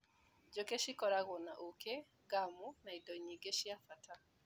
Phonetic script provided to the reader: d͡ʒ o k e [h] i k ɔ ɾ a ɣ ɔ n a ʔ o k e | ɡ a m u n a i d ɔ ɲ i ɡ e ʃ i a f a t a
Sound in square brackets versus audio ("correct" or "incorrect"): incorrect